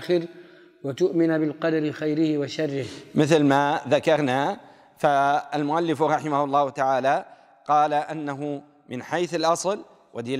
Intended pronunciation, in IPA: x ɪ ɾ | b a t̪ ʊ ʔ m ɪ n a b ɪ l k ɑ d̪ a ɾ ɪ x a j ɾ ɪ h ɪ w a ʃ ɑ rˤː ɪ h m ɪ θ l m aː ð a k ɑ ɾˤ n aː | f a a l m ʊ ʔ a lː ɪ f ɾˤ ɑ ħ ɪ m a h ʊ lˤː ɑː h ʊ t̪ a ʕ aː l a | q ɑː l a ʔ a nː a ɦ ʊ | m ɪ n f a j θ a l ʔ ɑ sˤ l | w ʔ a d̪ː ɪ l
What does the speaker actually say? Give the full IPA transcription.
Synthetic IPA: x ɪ ɾ | w a t̪ ʊ ʔ m ɪ n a b ɪ l q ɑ d̪ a ɾ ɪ x a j ɾ ɪ h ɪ w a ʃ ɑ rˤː ɪ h m ɪ θ l m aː ð a k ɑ ɾˤ n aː | f a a l m ʊ ʔ a lː ɪ f ɾˤ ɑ ħ ɪ m a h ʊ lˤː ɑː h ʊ t̪ a ʕ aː l a | q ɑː l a ʔ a nː a ɦ ʊ | m ɪ n ħ a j θ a l ʔ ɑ sˤ l | w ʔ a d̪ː ɪ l